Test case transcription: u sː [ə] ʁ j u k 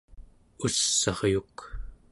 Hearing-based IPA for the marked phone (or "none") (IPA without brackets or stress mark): ɑ